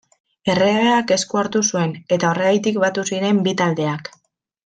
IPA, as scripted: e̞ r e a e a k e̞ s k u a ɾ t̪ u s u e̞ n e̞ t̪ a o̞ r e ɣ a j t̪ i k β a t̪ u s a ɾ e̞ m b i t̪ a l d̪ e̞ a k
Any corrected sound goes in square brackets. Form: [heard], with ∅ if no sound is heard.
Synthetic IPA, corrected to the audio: e̞ r e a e a k e̞ s k u a ɾ t̪ u s u e̞ n e̞ t̪ a o̞ r e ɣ a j t̪ i k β a t̪ u s [i] ɾ e̞ m b i t̪ a l d̪ e̞ a k